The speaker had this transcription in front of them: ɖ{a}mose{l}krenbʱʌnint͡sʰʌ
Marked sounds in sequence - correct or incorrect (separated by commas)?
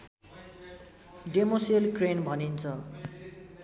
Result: incorrect, correct